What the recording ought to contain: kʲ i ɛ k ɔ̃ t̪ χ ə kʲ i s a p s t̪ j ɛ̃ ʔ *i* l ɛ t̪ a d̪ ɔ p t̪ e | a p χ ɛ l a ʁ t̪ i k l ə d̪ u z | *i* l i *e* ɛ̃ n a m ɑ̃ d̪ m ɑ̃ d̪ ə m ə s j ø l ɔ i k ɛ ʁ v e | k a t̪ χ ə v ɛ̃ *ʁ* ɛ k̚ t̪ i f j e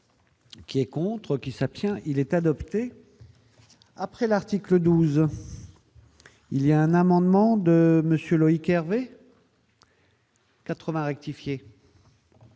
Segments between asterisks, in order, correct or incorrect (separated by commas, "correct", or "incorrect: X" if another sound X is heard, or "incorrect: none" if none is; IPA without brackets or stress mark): correct, correct, incorrect: a, correct